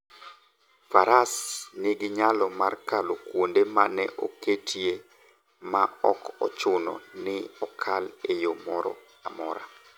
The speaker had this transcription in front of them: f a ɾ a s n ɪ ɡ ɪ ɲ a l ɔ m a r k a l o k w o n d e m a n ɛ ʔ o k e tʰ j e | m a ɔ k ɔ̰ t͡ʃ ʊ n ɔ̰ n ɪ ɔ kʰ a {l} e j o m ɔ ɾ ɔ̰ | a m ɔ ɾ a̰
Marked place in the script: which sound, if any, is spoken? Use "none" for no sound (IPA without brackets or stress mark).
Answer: l